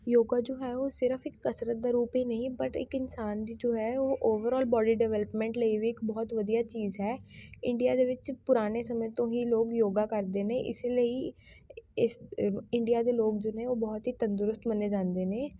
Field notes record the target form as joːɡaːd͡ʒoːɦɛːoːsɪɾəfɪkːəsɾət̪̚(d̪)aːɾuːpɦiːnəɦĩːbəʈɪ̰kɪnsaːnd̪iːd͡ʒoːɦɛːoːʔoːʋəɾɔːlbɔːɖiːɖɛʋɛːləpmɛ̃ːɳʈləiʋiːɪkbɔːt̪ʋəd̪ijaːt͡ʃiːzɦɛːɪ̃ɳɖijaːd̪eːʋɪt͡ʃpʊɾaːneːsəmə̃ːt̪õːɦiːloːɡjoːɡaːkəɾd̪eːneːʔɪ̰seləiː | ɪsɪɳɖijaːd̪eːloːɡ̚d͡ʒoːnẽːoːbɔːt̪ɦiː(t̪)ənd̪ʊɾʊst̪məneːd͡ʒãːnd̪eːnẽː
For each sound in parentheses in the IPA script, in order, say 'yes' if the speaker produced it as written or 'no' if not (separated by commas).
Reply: yes, yes